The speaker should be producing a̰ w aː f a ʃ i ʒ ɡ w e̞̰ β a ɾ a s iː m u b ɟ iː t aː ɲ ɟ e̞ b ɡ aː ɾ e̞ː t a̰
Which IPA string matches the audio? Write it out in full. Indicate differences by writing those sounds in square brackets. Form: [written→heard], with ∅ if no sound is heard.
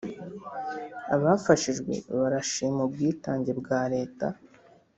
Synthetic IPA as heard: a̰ [w→β] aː f a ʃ i ʒ ɡ w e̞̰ β a ɾ a [s→ʃ] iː m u b [ɟ→ɡ] iː t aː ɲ ɟ e̞ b ɡ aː ɾ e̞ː t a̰